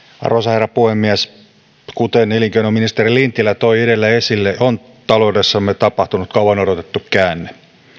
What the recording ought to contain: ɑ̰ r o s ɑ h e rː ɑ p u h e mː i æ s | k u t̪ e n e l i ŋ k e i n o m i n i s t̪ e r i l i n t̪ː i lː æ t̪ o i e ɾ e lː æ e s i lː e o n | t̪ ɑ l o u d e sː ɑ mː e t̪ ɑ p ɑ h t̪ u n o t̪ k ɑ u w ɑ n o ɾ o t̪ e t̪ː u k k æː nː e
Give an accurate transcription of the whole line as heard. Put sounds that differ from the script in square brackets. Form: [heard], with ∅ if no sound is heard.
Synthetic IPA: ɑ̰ r o s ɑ h e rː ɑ p u h e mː i æ s | k u t̪ e n e l i ŋ k e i n o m i n i s t̪ e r i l i n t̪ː i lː æ t̪ o i e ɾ e lː æ e s i lː e o n | t̪ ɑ l o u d e sː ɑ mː e t̪ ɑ p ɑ h t̪ u n [u] t̪ k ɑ u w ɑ n o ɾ o t̪ e t̪ː u k k æː nː e